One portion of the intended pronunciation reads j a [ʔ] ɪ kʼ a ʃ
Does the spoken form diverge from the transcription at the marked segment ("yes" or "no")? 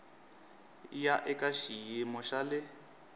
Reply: no